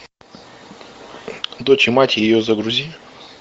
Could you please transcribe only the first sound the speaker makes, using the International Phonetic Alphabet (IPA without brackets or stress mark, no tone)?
d̪